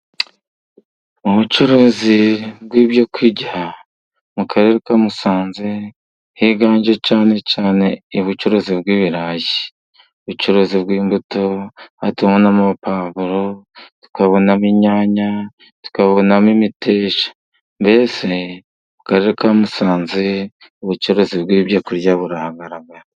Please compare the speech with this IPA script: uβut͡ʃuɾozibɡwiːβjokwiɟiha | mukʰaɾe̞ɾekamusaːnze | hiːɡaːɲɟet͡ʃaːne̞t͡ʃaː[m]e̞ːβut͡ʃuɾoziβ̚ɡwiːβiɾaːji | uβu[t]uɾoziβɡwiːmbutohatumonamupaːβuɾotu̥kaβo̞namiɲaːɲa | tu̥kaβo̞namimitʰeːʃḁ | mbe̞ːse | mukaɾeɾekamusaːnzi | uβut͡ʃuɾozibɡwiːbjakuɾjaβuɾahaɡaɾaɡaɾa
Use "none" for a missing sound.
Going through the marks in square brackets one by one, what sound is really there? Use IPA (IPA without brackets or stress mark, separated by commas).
n, t͡ʃ